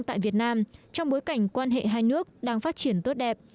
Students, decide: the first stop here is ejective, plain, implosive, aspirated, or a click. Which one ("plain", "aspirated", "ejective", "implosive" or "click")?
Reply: plain